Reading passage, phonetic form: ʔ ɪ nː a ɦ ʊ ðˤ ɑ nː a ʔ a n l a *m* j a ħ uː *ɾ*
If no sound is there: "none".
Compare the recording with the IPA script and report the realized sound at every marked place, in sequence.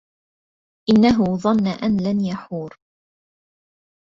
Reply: n, ɾ

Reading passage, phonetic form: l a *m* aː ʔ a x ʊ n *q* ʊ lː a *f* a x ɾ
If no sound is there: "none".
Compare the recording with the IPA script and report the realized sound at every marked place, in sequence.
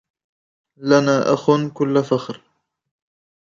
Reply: n, k, f

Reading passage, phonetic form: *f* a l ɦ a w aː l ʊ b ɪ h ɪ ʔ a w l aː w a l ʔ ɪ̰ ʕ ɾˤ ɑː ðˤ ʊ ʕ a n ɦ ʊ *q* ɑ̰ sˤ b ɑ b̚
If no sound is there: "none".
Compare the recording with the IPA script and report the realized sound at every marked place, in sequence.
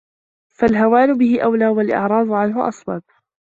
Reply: f, ʔ

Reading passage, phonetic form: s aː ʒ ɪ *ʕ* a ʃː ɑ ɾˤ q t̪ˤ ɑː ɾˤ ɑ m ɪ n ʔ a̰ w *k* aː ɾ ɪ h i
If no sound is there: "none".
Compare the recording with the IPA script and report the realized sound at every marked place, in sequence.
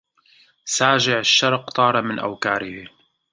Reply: ʕ, k

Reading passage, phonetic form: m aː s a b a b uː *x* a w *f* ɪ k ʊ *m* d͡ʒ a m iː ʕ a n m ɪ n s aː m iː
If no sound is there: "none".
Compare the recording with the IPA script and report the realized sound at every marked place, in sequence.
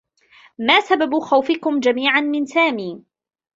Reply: x, f, m

